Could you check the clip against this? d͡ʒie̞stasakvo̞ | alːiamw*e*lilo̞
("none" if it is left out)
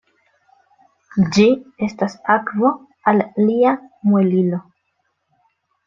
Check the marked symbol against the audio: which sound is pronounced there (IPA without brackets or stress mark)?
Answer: e